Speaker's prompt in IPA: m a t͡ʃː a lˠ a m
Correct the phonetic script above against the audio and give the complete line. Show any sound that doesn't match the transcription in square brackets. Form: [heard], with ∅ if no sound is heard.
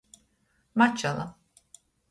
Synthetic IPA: m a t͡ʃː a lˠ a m